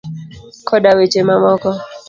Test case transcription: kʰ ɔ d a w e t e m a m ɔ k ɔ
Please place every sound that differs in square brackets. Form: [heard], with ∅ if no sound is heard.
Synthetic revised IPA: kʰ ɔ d a w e [t͡ʃ] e m a m ɔ k ɔ